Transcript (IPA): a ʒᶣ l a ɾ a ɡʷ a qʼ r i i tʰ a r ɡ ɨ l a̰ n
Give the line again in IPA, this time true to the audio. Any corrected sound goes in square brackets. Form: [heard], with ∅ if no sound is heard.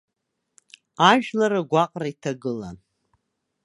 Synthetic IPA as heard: a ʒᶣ l a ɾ a ɡʷ a qʼ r [a] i tʰ a [∅] ɡ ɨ l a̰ n